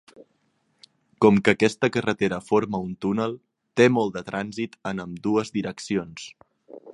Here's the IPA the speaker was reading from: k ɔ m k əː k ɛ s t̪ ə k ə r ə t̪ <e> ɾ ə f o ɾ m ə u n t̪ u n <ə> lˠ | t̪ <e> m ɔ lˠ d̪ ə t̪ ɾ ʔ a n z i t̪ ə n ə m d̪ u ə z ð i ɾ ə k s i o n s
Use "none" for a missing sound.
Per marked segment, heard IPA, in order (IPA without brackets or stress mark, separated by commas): e, ə, e